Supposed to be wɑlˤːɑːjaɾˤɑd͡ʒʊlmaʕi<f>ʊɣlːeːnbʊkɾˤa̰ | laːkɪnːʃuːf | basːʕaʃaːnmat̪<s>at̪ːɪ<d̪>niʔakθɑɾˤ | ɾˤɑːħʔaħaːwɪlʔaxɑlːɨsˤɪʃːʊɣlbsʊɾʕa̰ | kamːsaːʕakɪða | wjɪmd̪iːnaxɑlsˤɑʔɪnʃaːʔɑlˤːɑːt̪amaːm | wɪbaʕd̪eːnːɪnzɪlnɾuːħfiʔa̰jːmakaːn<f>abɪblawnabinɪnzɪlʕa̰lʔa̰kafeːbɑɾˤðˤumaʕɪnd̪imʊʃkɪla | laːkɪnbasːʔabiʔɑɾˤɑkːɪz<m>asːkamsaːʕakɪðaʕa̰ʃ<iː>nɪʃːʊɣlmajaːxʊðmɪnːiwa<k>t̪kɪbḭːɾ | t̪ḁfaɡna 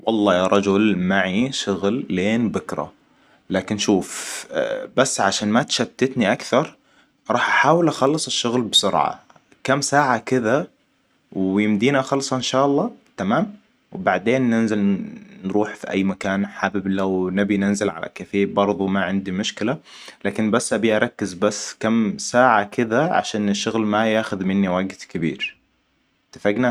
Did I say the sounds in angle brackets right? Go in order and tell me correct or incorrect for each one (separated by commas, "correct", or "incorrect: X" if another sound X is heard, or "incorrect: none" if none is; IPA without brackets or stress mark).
incorrect: ʃ, incorrect: ʃ, incorrect: t̪, incorrect: ħ, incorrect: b, incorrect: aː, incorrect: ɡ